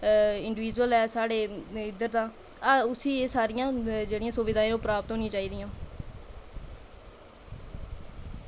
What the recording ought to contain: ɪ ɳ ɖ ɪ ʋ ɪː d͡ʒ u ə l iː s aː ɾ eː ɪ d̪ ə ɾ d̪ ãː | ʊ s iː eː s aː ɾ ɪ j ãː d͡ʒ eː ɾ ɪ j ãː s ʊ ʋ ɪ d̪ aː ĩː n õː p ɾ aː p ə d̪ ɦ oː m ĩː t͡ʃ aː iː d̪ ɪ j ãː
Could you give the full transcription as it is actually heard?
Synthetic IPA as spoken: ɪ ɳ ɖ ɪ ʋ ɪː d͡ʒ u ə l ɛː s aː ɽ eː ɪ d̪ ə ɾ d̪ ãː | ʊ s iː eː s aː ɾ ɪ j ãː d͡ʒ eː ɽ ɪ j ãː s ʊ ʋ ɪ d̪ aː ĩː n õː p ɾ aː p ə t̪ ɦ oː n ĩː t͡ʃ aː iː d̪ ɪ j ãː